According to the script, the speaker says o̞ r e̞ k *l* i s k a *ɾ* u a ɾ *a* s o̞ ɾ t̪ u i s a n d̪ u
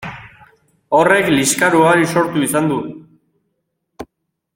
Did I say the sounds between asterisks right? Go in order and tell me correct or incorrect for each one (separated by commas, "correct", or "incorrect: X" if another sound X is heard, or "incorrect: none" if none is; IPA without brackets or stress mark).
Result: correct, correct, incorrect: i